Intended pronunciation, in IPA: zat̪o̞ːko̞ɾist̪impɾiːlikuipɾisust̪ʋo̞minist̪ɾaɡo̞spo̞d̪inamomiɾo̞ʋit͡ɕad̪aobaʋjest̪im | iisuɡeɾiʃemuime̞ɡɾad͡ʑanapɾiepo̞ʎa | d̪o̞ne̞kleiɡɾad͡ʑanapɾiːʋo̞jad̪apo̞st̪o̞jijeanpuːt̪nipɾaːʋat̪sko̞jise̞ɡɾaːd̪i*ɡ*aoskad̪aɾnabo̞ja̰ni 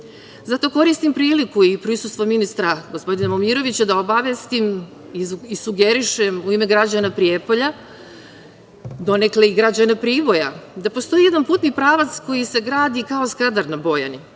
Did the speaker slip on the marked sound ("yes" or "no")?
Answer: yes